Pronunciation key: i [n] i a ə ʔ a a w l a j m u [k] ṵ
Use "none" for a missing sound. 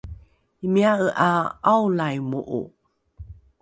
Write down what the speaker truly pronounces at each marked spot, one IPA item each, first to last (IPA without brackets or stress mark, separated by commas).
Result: m, ʔ